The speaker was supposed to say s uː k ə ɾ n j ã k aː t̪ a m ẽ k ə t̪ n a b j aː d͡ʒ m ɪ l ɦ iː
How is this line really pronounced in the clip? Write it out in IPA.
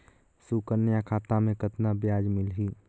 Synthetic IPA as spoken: s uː k ə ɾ n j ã kʰ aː t̪ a m ẽ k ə t̪ n a b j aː d͡ʒ m ɪ l ɦ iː